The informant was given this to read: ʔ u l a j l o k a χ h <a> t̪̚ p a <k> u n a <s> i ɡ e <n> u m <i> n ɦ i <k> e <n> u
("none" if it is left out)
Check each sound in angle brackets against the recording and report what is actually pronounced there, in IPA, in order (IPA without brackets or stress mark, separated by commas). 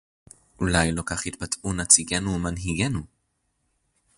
i, t, t͡s, n, a, ɡ, n